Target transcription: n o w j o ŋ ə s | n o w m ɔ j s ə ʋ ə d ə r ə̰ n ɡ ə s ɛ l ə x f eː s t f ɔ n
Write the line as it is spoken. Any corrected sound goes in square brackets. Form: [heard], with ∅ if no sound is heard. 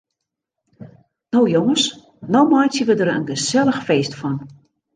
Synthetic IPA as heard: n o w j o ŋ ə s | n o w m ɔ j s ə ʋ ə d ə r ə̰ n ɡ ə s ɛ l ə x f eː s t f ɔ n